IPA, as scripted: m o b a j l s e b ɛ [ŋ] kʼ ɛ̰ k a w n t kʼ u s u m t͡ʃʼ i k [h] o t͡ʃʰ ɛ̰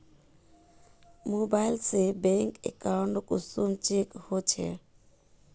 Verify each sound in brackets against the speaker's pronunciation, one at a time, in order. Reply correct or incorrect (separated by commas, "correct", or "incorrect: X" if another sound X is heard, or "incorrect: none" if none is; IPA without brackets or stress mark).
correct, correct